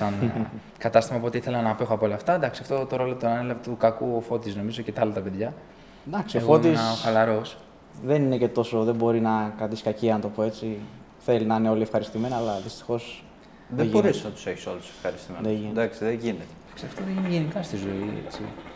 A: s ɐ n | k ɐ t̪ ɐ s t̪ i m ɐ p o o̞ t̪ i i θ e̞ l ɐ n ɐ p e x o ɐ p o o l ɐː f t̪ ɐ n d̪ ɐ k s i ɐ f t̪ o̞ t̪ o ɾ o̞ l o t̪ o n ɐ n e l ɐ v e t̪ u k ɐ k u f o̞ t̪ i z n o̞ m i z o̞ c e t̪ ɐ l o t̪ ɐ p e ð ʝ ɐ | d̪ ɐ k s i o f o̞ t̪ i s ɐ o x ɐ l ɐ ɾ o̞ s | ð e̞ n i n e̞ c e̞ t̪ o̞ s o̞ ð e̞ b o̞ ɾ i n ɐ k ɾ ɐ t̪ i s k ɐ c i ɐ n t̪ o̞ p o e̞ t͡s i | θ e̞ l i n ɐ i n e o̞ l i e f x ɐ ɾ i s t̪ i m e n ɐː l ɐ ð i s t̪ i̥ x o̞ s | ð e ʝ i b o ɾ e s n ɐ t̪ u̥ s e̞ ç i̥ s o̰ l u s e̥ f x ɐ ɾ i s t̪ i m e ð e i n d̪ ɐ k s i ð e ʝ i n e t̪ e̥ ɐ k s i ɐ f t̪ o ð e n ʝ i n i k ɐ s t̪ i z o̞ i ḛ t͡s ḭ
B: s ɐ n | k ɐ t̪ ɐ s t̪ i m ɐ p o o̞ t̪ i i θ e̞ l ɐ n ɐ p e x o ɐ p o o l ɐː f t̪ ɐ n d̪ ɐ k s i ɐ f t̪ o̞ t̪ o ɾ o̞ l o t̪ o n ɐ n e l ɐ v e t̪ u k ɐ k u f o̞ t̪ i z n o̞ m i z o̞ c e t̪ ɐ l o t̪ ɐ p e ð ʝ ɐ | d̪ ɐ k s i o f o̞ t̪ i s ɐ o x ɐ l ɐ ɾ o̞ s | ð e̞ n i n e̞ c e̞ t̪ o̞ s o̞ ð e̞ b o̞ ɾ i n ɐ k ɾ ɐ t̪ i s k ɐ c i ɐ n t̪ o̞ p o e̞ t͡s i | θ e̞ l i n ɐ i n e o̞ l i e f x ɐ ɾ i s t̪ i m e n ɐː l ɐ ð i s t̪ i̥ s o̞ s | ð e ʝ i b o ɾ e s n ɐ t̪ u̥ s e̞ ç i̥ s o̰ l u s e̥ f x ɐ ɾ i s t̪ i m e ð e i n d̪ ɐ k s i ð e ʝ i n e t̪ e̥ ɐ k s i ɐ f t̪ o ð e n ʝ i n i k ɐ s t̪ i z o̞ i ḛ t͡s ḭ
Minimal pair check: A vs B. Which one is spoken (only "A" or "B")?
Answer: A